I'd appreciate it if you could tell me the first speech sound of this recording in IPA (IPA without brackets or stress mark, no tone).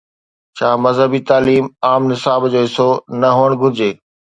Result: t͡ɕʰ